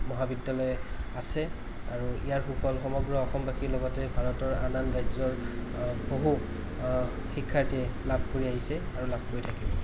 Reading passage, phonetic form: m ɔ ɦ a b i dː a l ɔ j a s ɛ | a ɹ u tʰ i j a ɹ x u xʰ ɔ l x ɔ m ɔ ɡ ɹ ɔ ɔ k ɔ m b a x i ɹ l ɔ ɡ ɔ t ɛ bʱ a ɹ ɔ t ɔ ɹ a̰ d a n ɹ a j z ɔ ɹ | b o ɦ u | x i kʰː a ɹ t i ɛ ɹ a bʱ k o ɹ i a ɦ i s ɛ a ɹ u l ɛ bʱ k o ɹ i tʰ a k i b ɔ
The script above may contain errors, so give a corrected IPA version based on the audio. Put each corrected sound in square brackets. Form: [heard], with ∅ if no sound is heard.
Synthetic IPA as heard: m ɔ ɦ a b i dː a l ɔ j a s ɛ | a ɹ u [∅] i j a ɹ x u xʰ ɔ l x ɔ m ɔ ɡ ɹ ɔ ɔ [x] ɔ m b a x i ɹ l ɔ ɡ ɔ t ɛ bʱ a ɹ ɔ t ɔ ɹ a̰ [n] a n ɹ a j z ɔ ɹ | b o ɦ u | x i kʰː a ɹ t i ɛ [l] a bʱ k o ɹ i a ɦ i s ɛ a ɹ u l [a] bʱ k o ɹ i tʰ a k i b ɔ